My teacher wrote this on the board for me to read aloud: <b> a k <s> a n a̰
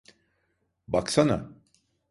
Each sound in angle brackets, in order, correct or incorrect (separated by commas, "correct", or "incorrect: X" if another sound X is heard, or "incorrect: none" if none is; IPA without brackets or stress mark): correct, correct